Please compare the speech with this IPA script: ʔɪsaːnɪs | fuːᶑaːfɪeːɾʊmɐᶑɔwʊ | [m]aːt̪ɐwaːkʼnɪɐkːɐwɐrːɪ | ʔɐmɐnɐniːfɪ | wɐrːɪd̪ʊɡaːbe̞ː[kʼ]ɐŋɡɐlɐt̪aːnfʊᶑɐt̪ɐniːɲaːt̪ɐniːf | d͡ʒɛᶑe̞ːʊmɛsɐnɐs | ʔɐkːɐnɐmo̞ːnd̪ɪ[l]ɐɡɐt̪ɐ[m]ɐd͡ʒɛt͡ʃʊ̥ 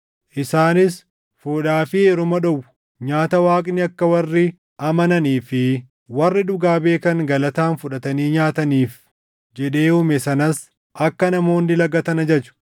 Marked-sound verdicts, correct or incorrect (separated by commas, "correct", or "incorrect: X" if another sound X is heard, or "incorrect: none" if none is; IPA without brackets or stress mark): incorrect: ɲ, incorrect: k, correct, incorrect: n